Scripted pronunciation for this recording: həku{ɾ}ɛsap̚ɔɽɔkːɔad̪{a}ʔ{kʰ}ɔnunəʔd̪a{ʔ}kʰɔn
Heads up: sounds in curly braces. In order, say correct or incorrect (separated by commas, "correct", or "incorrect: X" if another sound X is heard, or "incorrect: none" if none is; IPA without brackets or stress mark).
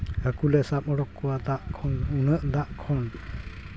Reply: incorrect: l, correct, correct, correct